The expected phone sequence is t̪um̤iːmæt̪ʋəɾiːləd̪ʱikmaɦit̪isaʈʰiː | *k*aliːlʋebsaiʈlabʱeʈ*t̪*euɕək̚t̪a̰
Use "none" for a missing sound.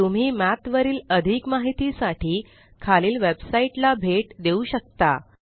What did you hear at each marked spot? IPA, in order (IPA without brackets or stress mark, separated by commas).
kʰ, d̪